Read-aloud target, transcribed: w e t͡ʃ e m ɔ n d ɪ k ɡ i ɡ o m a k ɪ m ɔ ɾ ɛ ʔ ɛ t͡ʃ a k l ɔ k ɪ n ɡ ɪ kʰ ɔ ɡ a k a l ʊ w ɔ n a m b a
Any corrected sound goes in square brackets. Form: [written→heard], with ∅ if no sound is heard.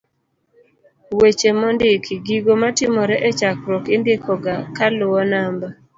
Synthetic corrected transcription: w e t͡ʃ e m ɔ n d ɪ k ɡ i ɡ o m a [k→t] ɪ m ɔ ɾ ɛ ʔ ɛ t͡ʃ a k [l→ɾ] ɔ k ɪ n [ɡ→d] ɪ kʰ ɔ ɡ a k a l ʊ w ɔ n a m b a